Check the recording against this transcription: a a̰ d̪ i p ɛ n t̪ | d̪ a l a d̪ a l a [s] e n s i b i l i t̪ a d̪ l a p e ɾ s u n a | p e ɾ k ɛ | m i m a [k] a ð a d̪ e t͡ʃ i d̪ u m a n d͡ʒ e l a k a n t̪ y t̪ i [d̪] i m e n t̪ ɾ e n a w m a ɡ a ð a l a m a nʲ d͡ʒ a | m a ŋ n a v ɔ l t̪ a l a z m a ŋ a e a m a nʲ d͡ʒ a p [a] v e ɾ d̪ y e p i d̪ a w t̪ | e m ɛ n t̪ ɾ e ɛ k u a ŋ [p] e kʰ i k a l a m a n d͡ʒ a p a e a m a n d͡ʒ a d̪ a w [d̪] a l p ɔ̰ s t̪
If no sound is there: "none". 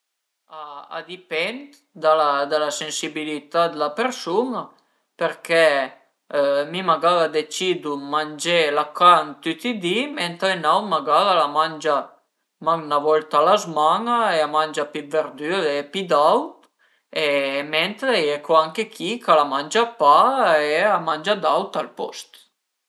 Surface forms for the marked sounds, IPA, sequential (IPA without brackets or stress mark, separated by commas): s, ɡ, d̪, i, k, t̪